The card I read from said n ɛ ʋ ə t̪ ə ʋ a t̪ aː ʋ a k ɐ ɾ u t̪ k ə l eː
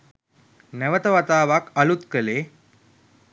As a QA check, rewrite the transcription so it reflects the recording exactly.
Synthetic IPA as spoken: n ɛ ʋ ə t̪ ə ʋ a t̪ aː ʋ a k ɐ l u t̪ k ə l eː